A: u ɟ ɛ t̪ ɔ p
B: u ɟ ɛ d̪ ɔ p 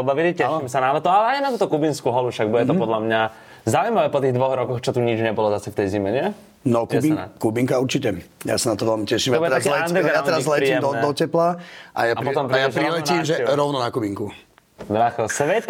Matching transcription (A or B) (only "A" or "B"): A